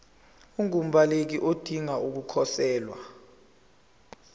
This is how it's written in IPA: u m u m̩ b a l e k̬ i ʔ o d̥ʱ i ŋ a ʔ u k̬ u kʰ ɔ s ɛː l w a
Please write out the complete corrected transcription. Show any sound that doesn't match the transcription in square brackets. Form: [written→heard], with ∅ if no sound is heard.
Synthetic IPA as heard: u [m→ŋ] u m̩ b a l e k̬ i ʔ o d̥ʱ i ŋ a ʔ u k̬ u kʰ ɔ s ɛː l w a